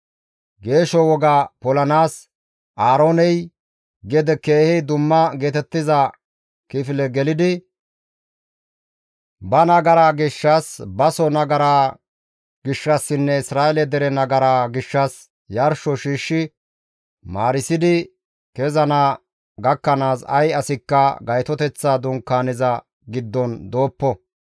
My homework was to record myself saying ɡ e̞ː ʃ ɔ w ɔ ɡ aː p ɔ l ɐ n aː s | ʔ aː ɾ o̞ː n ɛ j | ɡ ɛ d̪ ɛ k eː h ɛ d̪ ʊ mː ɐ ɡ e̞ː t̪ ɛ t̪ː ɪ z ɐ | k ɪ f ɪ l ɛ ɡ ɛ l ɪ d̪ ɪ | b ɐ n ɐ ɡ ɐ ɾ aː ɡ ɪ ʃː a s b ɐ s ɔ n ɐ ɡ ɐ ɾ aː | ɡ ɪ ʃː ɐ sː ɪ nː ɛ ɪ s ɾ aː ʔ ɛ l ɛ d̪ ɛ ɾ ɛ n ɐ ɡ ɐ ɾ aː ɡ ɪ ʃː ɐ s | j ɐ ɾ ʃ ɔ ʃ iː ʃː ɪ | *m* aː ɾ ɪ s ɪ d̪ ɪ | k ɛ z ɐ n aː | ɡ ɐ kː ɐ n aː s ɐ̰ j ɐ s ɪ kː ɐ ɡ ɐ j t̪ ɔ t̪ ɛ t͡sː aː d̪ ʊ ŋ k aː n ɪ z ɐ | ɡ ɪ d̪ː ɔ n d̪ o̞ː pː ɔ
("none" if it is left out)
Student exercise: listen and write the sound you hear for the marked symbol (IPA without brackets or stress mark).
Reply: m